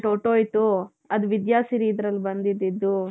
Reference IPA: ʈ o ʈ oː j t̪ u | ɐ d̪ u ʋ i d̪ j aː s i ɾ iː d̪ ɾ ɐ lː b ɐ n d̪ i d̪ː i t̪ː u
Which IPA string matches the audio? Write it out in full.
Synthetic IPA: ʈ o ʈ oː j t̪ u | ɐ d̪ u ʋ i d̪ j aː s i ɾ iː d̪ ɾ ɐ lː b ɐ n d̪ i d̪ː i d̪ː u